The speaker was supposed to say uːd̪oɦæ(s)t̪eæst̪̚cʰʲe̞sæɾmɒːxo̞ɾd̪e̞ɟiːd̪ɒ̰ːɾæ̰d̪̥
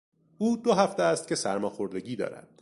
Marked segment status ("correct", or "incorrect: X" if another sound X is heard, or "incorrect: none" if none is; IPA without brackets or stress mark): incorrect: f